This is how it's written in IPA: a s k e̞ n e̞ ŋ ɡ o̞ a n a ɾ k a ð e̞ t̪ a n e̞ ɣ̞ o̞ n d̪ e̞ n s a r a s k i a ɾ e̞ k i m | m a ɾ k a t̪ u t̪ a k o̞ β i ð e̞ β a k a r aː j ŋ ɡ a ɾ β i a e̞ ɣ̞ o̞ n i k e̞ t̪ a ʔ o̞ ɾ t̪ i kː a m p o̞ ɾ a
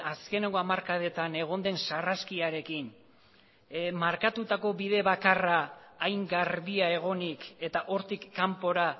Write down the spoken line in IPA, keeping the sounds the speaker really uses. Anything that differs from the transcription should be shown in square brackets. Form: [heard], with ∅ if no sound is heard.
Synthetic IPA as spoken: a s k e̞ n e̞ ŋ ɡ o̞ a [m] a ɾ k a ð e̞ t̪ a n e̞ ɣ̞ o̞ n d̪ e̞ n s a r a s k i a ɾ e̞ k i [n] | m a ɾ k a t̪ u t̪ a k o̞ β i ð e̞ β a k a r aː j ŋ ɡ a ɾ β i a e̞ ɣ̞ o̞ n i k e̞ t̪ a ʔ o̞ ɾ t̪ i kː a m p o̞ ɾ a